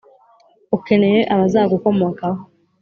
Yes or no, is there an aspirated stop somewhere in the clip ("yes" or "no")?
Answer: no